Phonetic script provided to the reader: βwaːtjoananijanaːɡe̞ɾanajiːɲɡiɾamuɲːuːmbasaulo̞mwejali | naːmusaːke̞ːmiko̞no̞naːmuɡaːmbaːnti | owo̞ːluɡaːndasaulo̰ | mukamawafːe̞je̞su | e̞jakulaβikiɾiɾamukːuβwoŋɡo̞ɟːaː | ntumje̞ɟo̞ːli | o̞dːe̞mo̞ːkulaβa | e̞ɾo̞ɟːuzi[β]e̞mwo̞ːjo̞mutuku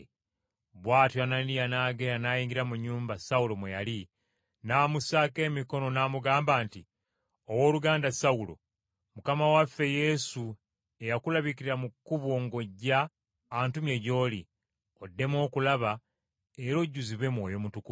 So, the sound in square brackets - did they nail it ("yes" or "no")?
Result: yes